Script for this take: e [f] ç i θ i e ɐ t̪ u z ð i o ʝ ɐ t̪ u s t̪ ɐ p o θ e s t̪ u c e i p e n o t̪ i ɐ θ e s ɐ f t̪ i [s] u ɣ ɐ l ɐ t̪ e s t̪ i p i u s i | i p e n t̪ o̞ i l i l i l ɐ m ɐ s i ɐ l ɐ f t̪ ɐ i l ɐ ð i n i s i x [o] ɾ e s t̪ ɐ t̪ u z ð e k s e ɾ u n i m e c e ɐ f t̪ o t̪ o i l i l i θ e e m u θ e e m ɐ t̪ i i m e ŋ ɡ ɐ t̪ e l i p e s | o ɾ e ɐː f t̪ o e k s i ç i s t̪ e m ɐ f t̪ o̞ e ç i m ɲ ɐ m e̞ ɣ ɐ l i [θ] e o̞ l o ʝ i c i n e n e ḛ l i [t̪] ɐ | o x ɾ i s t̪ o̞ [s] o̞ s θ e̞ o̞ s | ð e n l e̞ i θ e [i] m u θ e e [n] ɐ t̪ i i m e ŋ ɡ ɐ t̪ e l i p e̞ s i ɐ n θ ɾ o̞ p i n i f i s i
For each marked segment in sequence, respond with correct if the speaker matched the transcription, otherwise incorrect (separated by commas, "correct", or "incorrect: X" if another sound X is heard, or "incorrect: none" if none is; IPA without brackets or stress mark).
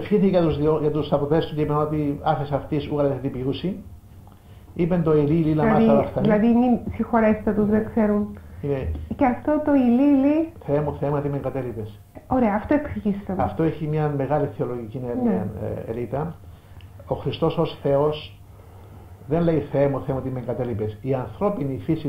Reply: correct, correct, correct, correct, correct, correct, incorrect: e, incorrect: m